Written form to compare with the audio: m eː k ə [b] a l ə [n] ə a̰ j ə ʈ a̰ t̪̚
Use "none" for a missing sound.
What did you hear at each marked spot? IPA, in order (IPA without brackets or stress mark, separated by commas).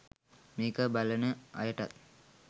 b, n